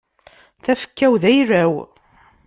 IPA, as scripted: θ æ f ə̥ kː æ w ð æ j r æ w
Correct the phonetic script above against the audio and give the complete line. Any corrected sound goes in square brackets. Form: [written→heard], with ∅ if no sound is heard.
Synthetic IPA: θ æ f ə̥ kː æ w ð æ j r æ w